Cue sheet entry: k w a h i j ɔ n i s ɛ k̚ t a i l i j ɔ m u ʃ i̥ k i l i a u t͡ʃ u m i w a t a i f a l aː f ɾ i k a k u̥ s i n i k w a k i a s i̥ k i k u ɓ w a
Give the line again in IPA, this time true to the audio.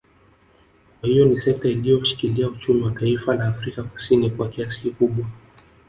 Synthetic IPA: k w a h i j ɔ n i s ɛ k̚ t a i l i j ɔ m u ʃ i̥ k i l i a u t͡ʃ u m i w a t a i f a l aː f ɾ i k a k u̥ s i n i k w a k i a s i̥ k i k u ɓ w a